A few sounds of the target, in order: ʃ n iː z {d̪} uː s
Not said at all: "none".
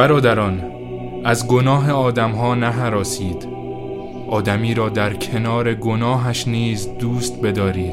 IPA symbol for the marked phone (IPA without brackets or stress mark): d̪